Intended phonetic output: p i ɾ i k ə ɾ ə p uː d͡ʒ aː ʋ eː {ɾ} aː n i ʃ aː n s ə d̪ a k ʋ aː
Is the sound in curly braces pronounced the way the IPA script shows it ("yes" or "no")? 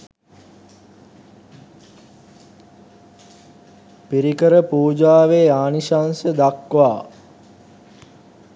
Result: no